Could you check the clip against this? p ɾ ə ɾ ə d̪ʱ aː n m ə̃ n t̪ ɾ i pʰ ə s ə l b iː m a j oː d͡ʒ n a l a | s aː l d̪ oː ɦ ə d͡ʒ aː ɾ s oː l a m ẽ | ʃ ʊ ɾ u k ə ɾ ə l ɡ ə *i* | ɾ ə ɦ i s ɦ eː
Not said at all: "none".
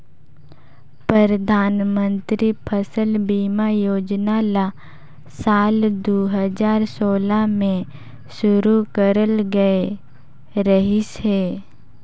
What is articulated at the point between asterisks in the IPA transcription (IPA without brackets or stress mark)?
e